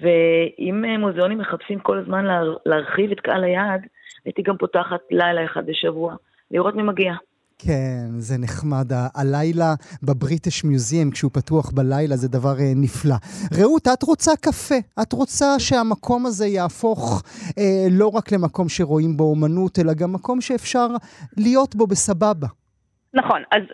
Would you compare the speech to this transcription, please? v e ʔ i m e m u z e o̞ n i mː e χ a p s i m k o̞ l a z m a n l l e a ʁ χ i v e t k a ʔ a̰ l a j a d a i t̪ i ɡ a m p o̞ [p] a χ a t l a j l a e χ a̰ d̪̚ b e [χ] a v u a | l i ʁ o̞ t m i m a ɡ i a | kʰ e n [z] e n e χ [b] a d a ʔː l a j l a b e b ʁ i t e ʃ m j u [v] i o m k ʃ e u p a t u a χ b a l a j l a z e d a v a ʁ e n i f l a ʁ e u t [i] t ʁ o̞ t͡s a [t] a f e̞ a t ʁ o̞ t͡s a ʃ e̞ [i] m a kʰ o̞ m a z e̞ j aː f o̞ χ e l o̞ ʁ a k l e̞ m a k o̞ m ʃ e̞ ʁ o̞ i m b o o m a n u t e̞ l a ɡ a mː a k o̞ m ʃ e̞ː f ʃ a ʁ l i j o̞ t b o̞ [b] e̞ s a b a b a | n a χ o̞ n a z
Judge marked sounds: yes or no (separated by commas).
no, no, yes, no, no, no, no, no, yes